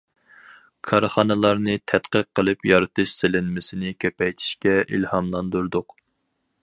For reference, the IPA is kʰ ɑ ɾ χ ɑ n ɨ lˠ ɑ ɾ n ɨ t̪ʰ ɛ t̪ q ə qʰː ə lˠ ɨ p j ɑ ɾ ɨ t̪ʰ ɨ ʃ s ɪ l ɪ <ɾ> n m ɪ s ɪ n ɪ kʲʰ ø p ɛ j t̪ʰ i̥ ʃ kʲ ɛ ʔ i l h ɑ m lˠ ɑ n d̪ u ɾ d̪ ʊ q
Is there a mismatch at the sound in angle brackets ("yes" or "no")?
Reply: yes